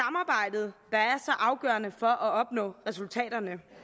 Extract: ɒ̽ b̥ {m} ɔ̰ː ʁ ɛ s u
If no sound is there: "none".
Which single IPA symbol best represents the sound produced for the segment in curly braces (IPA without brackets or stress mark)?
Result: n